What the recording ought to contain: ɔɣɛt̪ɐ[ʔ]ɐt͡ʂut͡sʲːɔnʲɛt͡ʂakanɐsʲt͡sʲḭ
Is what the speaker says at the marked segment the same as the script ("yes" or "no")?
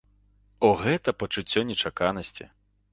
no